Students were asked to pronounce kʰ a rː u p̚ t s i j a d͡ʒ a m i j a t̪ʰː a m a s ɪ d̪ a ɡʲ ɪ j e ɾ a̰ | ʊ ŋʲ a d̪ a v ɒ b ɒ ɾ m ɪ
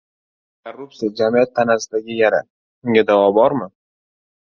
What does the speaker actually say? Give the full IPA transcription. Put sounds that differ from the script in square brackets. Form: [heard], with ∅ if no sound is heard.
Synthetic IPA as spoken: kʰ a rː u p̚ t s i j a d͡ʒ a m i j a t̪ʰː a [n] a s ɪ d̪ a ɡʲ ɪ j [a] ɾ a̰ | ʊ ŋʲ a d̪ a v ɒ b ɒ ɾ m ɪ